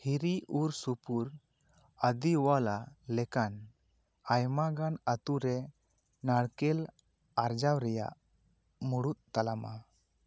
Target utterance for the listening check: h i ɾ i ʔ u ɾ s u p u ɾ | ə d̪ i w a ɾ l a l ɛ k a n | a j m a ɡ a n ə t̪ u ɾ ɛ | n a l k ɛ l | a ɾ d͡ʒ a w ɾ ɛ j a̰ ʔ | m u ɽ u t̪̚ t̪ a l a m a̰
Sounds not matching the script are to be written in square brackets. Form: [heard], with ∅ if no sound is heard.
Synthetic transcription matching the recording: h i ɾ i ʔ u ɾ s u p u ɾ | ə d̪ i w a [∅] l a l ɛ k a n | a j m a ɡ a n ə t̪ u ɾ ɛ | n a [ɽ] k ɛ l | a ɾ d͡ʒ a w ɾ ɛ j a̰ ʔ | m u ɽ u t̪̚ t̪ a l a m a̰